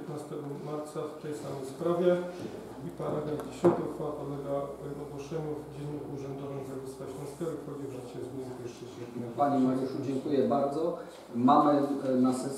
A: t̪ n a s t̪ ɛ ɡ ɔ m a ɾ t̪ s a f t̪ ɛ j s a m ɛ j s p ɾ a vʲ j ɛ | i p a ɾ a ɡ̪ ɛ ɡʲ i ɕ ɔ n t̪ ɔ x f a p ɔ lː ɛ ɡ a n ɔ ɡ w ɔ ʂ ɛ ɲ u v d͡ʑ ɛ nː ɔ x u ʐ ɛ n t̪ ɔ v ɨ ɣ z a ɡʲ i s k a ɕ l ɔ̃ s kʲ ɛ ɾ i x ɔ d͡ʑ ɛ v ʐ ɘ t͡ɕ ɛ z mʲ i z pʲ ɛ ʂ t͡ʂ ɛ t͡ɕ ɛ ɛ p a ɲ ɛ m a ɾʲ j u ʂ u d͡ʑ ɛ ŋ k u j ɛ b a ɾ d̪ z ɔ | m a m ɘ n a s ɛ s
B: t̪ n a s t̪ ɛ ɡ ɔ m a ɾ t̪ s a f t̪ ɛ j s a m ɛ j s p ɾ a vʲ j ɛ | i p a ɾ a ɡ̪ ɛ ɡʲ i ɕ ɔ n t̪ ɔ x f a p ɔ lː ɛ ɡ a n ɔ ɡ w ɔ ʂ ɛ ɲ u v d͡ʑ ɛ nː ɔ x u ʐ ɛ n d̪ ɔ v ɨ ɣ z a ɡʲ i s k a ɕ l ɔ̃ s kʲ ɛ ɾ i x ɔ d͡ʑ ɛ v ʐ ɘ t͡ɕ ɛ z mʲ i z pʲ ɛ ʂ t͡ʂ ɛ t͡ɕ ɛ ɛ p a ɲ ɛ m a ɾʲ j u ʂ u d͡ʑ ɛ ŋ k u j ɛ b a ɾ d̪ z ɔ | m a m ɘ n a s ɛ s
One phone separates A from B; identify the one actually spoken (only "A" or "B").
B